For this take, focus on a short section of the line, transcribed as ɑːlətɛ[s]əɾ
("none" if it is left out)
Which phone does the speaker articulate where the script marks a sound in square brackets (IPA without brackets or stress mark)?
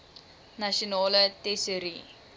s